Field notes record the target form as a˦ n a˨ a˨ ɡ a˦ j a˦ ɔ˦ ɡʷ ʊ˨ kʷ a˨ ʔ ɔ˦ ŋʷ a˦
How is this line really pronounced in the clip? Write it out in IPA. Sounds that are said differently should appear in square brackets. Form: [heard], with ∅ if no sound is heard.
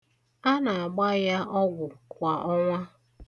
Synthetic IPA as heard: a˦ n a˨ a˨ [ɡ͡b] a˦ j a˦ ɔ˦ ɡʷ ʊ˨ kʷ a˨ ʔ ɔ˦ ŋʷ a˦